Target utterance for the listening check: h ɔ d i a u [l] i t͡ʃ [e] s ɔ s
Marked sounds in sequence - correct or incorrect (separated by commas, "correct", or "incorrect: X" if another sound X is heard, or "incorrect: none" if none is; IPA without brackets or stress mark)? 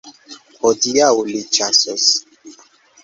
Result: correct, incorrect: a